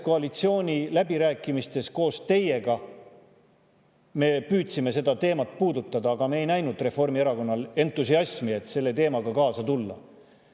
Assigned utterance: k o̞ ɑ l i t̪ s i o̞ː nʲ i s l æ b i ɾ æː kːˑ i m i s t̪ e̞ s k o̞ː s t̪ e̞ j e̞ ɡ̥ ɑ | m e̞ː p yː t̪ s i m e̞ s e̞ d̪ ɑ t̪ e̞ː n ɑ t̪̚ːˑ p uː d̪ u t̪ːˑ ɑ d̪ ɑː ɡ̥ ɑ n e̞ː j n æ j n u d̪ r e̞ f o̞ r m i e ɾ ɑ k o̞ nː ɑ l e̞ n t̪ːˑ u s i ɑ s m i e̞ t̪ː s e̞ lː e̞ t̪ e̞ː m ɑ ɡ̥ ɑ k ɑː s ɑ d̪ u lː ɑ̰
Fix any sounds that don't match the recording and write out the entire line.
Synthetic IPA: k o̞ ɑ l i t̪ s i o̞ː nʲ i l æ b i ɾ æː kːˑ i m i s t̪ e̞ s k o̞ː s t̪ e̞ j e̞ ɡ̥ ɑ | m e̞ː p yː t̪ s i m e̞ s e̞ d̪ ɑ t̪ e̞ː m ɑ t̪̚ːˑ p uː d̪ u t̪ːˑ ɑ d̪ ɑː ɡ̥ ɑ m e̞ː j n æ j n u d̪ r e̞ f o̞ r m i e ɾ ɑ k o̞ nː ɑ l e̞ n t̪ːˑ u s i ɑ s m i e̞ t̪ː s e̞ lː e̞ t̪ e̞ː m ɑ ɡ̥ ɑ k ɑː s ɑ t̪ u lː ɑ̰

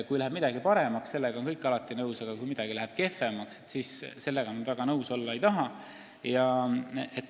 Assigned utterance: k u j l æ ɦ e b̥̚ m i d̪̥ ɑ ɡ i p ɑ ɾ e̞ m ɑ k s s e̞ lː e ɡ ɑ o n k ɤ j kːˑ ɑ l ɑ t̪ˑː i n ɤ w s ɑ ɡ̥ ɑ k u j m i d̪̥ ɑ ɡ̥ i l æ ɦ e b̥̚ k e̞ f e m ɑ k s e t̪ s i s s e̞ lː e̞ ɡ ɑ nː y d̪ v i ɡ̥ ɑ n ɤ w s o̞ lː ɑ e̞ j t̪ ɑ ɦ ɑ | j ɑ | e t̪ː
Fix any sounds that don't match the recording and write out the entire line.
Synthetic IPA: k u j l æ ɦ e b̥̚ m i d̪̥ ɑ ɡ i p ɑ ɾ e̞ m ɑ k s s e̞ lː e ɡ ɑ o n k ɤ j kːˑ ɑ l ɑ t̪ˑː i n ɤ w s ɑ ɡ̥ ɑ k u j m i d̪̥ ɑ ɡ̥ i l æ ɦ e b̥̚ k e̞ f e m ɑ k s e t̪ s i s s e̞ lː e̞ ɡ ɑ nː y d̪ v æ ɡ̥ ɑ n ɤ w s o̞ lː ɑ e̞ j t̪ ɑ ɦ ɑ | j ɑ | e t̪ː

